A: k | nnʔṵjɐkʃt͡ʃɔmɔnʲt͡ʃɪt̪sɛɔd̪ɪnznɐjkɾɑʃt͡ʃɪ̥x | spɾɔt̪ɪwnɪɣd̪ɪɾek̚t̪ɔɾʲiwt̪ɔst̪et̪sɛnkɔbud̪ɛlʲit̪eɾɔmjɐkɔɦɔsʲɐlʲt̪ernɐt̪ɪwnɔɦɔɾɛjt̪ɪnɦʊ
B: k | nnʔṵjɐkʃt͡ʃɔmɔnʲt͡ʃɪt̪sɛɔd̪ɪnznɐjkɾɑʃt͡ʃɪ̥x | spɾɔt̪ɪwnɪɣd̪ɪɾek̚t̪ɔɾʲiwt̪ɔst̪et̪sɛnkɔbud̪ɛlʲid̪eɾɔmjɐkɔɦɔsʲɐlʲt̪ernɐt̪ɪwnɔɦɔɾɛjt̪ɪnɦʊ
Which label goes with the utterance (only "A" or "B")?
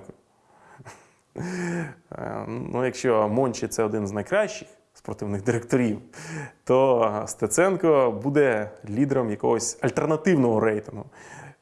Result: B